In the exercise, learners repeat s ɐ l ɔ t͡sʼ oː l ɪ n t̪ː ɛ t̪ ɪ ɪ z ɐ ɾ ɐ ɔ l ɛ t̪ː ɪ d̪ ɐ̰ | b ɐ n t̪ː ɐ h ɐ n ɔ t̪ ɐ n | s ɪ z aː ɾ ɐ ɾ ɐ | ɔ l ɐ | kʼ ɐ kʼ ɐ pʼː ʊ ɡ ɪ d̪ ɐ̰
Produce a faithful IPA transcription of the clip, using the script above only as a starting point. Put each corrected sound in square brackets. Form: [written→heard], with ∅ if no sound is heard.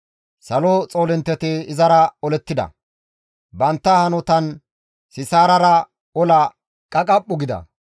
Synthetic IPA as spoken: s ɐ l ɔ t͡sʼ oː l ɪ n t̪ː ɛ t̪ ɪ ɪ z ɐ ɾ ɐ ɔ l ɛ t̪ː ɪ d̪ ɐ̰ | b ɐ n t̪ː ɐ h ɐ n ɔ t̪ ɐ n | s ɪ [z→s] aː ɾ ɐ ɾ ɐ | ɔ l ɐ | kʼ ɐ kʼ ɐ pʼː ʊ ɡ ɪ d̪ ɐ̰

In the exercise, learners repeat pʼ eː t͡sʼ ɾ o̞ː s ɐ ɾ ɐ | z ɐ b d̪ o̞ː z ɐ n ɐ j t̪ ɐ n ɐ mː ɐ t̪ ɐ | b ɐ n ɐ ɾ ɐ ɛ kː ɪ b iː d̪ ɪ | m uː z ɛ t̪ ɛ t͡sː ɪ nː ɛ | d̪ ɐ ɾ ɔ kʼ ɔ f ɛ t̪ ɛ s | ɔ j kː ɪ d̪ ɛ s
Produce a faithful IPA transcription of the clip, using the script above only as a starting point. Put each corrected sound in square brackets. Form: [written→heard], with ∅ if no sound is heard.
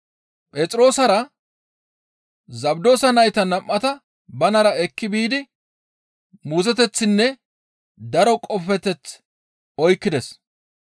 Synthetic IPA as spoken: pʼ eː t͡sʼ ɾ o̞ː s ɐ ɾ ɐ | z ɐ b d̪ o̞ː [z→s] ɐ n ɐ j t̪ ɐ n ɐ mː ɐ t̪ ɐ | b ɐ n ɐ ɾ ɐ ɛ kː ɪ b iː d̪ ɪ | m uː z ɛ t̪ ɛ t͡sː ɪ nː ɛ | d̪ ɐ ɾ ɔ kʼ ɔ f ɛ t̪ ɛ [s→t͡s] | ɔ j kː ɪ d̪ ɛ s

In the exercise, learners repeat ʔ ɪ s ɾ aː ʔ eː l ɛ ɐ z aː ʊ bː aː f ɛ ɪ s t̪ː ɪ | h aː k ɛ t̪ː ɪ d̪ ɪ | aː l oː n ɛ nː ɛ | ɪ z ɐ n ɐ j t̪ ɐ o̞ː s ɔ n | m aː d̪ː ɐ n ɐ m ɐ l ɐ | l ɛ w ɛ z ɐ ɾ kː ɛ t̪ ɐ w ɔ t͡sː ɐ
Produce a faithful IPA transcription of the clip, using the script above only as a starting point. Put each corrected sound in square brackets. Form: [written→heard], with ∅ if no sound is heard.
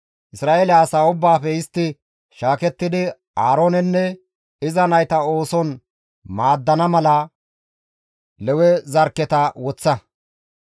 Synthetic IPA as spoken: ʔ ɪ s ɾ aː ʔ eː l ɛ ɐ [z→s] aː ʊ bː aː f ɛ ɪ s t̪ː ɪ | [h→ʃ] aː k ɛ t̪ː ɪ d̪ ɪ | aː [l→ɾ] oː n ɛ nː ɛ | ɪ z ɐ n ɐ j t̪ ɐ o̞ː s ɔ n | m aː d̪ː ɐ n ɐ m ɐ l ɐ | l ɛ w ɛ z ɐ ɾ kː ɛ t̪ ɐ w ɔ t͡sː ɐ

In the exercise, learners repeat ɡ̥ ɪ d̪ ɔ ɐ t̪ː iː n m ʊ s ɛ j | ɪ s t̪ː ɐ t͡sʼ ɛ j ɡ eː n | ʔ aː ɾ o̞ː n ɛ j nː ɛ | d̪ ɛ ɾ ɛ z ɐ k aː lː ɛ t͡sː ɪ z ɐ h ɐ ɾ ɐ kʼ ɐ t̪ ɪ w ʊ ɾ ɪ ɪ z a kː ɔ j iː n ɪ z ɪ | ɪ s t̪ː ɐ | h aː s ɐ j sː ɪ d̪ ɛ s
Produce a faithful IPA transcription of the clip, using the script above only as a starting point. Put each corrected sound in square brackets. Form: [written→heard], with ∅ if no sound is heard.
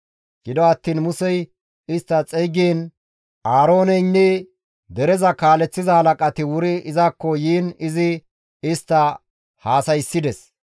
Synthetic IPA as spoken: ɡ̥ ɪ d̪ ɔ ɐ t̪ː iː n m ʊ s ɛ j | ɪ s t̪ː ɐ t͡sʼ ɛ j ɡ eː n | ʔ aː ɾ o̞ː n ɛ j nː ɛ | d̪ ɛ ɾ ɛ z ɐ k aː [lː→l] ɛ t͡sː ɪ z ɐ h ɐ [ɾ→l] ɐ kʼ ɐ t̪ ɪ w ʊ ɾ ɪ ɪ z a kː ɔ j iː n ɪ z ɪ | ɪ s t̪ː ɐ | h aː s ɐ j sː ɪ d̪ ɛ s

